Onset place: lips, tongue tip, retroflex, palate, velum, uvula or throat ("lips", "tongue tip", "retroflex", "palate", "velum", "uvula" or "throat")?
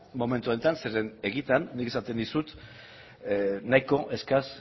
lips